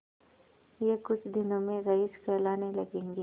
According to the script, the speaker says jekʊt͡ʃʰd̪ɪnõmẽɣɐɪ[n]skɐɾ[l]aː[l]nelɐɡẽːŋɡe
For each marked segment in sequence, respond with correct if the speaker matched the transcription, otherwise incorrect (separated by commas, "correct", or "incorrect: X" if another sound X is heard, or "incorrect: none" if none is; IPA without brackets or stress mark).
incorrect: none, correct, incorrect: none